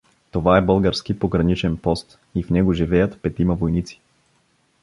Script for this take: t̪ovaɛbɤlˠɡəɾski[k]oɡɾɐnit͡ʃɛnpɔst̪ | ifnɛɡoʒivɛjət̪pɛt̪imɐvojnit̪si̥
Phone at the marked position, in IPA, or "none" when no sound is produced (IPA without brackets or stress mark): p